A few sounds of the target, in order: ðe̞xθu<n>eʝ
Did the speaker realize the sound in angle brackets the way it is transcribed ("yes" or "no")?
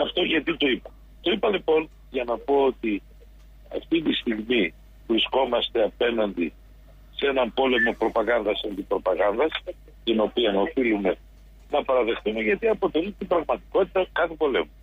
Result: no